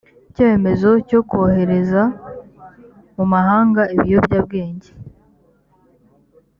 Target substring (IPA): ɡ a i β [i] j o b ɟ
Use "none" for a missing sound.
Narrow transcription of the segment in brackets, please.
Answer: i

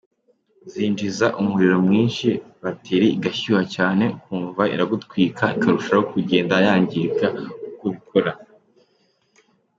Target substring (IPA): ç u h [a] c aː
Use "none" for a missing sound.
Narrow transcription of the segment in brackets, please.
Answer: a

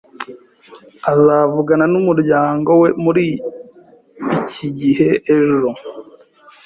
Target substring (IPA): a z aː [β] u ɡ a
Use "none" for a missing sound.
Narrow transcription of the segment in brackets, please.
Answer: v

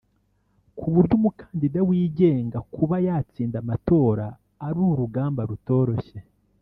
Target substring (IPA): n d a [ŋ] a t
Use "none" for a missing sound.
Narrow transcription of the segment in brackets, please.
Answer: m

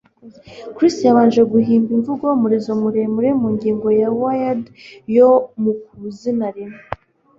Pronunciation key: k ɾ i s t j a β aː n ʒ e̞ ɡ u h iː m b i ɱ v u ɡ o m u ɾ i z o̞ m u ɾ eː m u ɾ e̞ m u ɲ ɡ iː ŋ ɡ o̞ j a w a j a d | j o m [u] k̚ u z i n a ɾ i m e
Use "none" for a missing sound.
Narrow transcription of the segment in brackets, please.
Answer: u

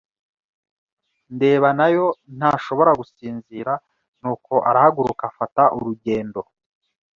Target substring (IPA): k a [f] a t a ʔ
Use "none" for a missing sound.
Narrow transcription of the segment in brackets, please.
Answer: f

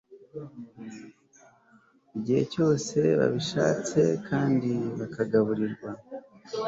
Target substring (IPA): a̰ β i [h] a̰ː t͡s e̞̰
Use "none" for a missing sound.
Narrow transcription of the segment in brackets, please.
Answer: ʃ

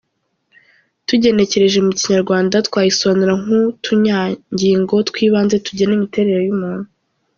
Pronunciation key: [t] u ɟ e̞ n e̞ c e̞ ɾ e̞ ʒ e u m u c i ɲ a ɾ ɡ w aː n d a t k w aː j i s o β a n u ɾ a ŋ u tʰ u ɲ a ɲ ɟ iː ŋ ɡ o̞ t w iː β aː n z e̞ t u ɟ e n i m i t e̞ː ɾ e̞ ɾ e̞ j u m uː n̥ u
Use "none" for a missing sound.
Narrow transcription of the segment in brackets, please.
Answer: t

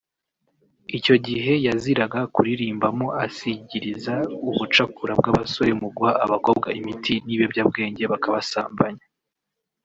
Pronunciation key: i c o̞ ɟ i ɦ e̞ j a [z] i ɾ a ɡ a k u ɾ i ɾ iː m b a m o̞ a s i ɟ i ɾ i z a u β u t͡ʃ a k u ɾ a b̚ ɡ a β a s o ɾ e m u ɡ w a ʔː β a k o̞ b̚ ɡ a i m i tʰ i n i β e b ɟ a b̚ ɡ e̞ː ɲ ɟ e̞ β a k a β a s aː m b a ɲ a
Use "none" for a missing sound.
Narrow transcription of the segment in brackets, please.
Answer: z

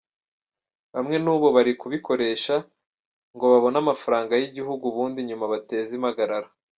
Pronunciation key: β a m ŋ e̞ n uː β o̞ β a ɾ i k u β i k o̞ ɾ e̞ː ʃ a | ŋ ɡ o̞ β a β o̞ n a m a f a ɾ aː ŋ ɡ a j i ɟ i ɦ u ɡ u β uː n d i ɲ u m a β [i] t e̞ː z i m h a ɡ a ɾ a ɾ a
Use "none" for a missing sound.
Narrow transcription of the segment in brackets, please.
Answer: a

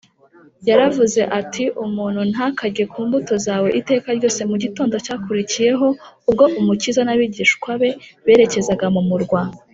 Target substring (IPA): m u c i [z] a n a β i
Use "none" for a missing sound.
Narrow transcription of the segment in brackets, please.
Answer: z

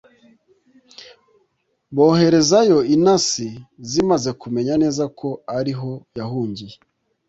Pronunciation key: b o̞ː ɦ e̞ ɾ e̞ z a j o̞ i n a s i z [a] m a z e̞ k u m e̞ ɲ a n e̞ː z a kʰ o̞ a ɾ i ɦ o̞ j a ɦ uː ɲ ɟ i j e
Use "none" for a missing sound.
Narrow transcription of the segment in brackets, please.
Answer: i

